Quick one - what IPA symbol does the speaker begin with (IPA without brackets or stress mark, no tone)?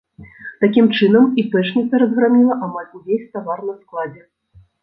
t̪